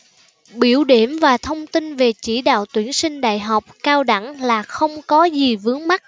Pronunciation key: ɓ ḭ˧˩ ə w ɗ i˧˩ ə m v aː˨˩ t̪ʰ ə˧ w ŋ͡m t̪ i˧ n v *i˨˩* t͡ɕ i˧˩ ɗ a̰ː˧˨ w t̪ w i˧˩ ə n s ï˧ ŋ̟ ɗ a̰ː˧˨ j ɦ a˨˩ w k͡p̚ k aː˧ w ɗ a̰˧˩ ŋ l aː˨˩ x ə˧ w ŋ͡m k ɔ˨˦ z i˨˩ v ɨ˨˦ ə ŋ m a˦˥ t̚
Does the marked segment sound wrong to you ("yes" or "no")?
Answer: yes